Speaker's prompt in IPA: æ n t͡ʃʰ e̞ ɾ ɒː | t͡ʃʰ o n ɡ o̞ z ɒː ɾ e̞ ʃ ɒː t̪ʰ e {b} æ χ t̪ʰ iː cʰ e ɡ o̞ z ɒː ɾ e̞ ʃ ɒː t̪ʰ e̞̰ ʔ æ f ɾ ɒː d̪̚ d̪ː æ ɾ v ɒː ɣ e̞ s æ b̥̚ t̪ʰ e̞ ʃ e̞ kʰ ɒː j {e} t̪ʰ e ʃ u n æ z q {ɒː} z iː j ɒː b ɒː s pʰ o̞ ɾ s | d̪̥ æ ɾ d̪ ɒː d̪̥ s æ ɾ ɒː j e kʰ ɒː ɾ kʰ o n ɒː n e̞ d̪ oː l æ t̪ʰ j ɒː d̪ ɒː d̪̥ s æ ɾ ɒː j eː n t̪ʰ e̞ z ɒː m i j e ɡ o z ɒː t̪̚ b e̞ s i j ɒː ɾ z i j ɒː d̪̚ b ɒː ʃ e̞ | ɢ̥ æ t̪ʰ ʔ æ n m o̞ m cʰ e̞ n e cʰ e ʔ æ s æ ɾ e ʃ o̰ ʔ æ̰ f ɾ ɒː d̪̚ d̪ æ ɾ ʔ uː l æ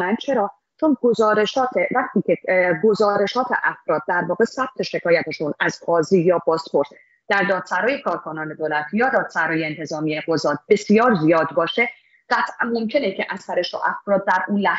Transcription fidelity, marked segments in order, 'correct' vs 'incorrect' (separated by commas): incorrect, incorrect, correct